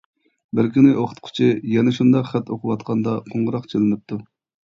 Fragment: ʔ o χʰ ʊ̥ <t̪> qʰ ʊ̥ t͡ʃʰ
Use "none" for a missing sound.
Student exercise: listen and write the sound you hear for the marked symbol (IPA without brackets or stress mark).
t̪